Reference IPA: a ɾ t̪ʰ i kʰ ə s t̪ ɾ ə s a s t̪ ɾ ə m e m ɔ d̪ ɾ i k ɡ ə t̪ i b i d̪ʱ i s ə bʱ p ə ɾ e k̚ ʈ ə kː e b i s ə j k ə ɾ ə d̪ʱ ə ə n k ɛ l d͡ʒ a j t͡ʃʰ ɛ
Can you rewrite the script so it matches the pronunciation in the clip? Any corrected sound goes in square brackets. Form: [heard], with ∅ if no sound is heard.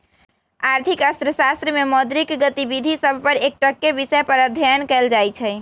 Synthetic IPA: a ɾ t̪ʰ i [k] ə s t̪ ɾ ə s a s t̪ ɾ ə m e m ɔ d̪ ɾ i k ɡ ə t̪ i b i d̪ʱ i s ə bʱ p ə ɾ e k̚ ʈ ə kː e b i s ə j [p] ə ɾ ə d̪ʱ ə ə n k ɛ l d͡ʒ a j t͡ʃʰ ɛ